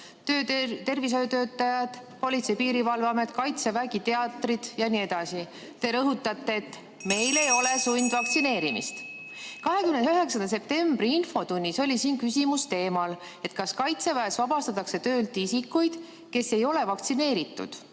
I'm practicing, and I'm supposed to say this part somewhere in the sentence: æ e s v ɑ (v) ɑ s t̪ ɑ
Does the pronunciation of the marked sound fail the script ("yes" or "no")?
yes